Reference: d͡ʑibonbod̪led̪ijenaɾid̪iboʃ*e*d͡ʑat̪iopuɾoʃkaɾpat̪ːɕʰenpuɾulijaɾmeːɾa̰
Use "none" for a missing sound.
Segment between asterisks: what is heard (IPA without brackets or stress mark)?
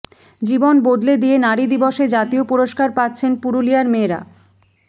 e